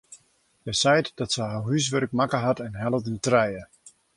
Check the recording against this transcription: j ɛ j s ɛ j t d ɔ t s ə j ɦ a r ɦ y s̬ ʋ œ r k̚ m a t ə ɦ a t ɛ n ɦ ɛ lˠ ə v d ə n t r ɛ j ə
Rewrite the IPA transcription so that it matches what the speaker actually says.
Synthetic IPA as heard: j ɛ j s ɛ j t d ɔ t s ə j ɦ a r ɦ y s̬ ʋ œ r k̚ m a k ə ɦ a t ɛ n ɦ ɛ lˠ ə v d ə n t r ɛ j ə

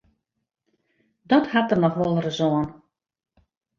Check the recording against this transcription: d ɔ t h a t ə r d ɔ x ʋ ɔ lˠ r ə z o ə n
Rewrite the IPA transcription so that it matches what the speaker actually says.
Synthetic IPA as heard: d ɔ t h a t ə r n ɔ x ʋ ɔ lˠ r ə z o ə n

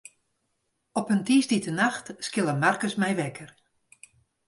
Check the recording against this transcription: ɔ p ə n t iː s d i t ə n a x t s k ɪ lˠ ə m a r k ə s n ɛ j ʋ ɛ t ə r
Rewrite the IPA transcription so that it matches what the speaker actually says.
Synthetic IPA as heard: ɔ p ə n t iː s d i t ə n a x t s k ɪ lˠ ə m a r k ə s m ɛ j ʋ ɛ k ə r

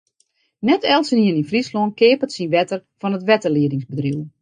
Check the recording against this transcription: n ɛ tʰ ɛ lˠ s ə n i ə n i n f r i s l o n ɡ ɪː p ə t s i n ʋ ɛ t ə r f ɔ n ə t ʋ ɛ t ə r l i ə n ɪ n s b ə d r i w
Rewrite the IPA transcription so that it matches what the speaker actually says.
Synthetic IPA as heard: n ɛ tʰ ɛ lˠ s ə n i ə n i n f r i s l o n k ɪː p ə t s i n ʋ ɛ t ə r f ɔ n ə t ʋ ɛ t ə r l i ə d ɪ ŋ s b ə d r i w

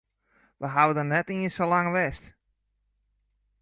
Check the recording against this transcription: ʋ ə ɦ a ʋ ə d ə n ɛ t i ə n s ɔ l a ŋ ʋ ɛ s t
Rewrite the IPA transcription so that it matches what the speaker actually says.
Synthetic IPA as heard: ʋ ə ɦ a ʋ ə d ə n ɛ t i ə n s o l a ŋ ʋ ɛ s t

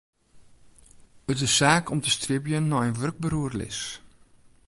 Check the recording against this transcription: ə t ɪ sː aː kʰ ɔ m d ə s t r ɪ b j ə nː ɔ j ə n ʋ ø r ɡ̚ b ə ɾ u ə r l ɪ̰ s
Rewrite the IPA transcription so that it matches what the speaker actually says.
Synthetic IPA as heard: ə t ɪ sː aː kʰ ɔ m t ə s t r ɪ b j ə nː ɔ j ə n ʋ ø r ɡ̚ b ə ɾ u ə r l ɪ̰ s

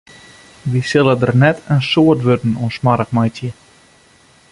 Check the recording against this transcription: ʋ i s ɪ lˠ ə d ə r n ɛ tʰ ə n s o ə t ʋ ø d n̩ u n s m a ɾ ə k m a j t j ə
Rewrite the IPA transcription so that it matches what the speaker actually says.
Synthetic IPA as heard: ʋ i s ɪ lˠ ə d ə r n ɛ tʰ ə n s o ə t ʋ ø d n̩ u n s m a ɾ ə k m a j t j ə

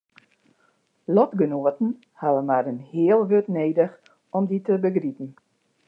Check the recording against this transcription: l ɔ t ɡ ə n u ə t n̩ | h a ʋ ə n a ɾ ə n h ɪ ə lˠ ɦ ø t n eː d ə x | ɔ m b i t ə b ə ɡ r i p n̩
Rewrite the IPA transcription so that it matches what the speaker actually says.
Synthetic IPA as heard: l ɔ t ɡ ə n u ə t n̩ | h a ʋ ə m a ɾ ə n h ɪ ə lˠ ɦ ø t n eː d ə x | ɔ m d i t ə b ə ɡ r i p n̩

